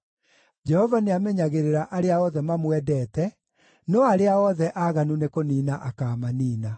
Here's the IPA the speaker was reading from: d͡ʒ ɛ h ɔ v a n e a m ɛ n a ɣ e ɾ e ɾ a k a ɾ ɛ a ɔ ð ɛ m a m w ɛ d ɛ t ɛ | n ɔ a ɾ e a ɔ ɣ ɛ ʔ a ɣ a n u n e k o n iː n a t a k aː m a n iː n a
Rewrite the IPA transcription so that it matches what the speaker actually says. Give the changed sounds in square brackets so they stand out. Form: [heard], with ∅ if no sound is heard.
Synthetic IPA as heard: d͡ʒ ɛ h ɔ v a n e a m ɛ [ɲ] a ɣ e ɾ e ɾ a [ʔ] a ɾ [e] a ɔ ð ɛ m a m w ɛ d ɛ t ɛ | n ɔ a ɾ e a ɔ [ð] ɛ ʔ a ɣ a n u n e k o n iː n a [ʔ] a k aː m a n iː n a

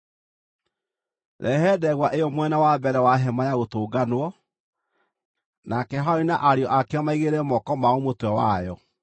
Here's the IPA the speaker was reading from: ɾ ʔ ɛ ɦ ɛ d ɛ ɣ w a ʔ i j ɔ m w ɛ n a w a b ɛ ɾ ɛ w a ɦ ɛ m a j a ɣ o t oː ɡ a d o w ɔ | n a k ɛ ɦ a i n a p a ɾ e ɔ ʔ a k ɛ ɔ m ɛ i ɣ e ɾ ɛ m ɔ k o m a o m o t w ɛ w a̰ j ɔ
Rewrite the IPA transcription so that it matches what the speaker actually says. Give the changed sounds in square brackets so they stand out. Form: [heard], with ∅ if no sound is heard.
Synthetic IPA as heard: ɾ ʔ ɛ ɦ ɛ d ɛ ɣ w a ʔ [e] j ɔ m w ɛ n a w a b ɛ ɾ ɛ w a ɦ ɛ m a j a ɣ o t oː ɡ a [n] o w ɔ | n a k ɛ ɦ a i n a [ʔ] a ɾ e ɔ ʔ a k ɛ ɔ m [a] i ɣ e ɾ ɛ m ɔ k [ɔ] m a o m o t w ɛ w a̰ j ɔ

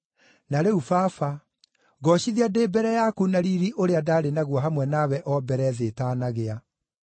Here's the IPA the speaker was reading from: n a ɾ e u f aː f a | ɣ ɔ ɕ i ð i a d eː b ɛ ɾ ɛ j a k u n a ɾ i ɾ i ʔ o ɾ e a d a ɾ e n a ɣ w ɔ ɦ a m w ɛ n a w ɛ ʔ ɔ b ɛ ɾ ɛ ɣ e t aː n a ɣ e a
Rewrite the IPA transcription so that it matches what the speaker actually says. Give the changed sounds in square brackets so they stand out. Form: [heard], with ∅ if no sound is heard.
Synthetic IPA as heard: n a ɾ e u f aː f a | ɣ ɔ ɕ i ð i a d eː b ɛ ɾ ɛ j a k u n a ɾ i ɾ i ʔ o ɾ e a d a ɾ e n a ɣ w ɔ ɦ a m w ɛ n a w ɛ ʔ ɔ b ɛ ɾ ɛ [ð] e t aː n a ɣ e a

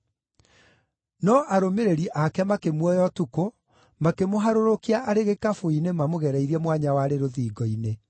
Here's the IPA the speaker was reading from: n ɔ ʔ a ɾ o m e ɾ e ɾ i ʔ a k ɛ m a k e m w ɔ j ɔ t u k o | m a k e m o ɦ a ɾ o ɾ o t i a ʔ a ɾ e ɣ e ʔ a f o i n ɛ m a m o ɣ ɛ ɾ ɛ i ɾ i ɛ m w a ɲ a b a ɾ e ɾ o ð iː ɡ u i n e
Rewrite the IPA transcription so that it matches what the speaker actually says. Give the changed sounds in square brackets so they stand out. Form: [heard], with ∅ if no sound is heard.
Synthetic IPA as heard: n ɔ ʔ a ɾ o m e ɾ e ɾ i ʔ a k ɛ m a k e m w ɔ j ɔ t u k o | m a k e m o ɦ a ɾ o ɾ o [k] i a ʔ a ɾ e ɣ e [k] a f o i n [e] m a m o ɣ ɛ ɾ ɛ i ɾ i ɛ m w a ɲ a [w] a ɾ e ɾ o ð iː ɡ [ɔ] i n e

